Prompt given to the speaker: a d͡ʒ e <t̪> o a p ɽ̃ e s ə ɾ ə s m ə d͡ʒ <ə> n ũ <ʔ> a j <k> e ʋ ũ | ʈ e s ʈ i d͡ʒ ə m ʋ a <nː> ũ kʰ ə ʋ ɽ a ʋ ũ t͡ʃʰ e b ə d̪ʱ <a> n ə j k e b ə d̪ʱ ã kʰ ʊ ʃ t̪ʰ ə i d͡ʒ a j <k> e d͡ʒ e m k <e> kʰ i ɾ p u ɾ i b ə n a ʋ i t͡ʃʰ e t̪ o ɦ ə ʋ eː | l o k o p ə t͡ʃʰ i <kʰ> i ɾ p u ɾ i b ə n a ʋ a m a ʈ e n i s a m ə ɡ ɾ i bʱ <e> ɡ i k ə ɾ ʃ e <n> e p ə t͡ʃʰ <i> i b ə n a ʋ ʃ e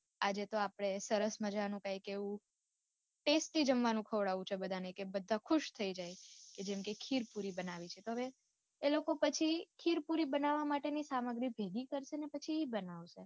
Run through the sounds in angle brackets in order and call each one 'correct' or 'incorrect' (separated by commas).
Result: correct, incorrect, incorrect, correct, incorrect, correct, correct, correct, correct, correct, correct, correct